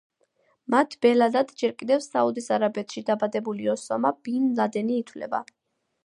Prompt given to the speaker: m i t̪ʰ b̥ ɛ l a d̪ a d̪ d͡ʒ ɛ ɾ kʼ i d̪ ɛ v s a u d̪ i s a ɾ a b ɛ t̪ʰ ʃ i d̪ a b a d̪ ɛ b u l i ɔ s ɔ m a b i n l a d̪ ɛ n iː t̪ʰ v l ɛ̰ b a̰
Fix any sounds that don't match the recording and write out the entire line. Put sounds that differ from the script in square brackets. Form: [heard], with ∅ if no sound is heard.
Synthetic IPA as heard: m [a] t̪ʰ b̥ ɛ l a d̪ a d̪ d͡ʒ ɛ ɾ kʼ i d̪ ɛ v s a u d̪ i s a ɾ a b ɛ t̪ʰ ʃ i d̪ a b a d̪ ɛ b u l i ɔ s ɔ m a b i n l a d̪ ɛ n iː t̪ʰ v l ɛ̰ b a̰